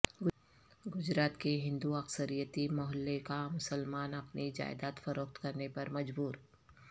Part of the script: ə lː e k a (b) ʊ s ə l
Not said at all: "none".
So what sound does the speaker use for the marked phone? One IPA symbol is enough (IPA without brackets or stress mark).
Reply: m